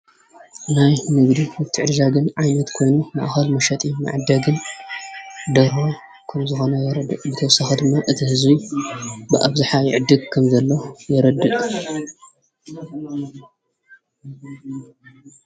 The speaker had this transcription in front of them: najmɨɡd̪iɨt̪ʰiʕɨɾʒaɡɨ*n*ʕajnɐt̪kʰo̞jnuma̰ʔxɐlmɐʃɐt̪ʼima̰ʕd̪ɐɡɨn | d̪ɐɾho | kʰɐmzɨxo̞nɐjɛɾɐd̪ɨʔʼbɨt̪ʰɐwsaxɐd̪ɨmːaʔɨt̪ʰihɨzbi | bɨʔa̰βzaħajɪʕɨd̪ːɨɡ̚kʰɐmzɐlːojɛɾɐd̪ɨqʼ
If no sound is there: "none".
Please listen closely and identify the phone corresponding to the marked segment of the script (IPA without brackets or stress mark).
n